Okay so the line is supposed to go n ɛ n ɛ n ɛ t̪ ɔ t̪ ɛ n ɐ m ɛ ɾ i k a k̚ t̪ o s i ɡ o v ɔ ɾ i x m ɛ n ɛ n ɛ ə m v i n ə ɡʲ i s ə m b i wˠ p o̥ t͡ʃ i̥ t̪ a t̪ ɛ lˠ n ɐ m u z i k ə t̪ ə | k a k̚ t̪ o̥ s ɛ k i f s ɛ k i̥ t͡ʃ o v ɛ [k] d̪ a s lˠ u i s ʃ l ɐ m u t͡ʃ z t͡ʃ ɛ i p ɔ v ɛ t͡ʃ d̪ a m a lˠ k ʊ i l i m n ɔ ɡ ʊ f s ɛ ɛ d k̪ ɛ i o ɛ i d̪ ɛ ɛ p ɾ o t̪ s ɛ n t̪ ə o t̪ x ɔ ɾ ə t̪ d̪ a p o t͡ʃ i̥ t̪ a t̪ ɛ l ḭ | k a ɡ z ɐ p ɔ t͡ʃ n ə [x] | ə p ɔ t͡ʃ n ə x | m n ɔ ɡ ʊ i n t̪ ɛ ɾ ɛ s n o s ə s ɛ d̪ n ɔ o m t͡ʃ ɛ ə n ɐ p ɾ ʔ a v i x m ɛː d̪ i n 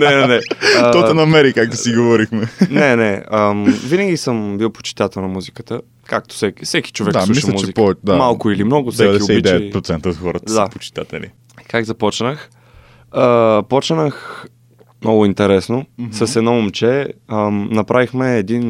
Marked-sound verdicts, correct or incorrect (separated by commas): correct, correct